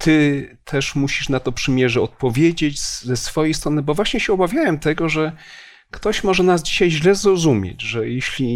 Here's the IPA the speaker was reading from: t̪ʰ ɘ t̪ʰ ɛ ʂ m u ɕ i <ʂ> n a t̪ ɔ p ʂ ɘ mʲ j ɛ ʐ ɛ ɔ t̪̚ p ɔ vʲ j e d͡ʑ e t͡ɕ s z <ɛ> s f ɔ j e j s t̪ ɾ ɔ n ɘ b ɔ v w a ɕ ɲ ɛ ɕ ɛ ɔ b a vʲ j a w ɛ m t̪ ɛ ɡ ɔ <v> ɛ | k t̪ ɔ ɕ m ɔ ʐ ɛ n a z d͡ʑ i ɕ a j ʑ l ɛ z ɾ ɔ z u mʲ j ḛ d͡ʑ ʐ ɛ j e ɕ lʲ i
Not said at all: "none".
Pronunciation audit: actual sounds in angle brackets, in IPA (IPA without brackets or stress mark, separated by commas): ʂ, ɛ, ʐ